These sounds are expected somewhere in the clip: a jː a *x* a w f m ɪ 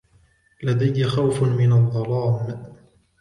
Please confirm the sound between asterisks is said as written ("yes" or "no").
yes